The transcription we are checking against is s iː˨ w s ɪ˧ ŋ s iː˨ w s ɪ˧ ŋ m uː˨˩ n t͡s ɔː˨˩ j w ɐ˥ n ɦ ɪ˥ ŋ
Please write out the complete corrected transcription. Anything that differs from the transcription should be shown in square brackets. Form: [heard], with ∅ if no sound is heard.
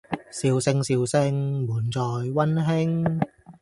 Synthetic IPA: s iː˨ w s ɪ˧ ŋ s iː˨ w s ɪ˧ ŋ m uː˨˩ n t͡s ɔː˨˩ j w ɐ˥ n ɦ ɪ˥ ŋ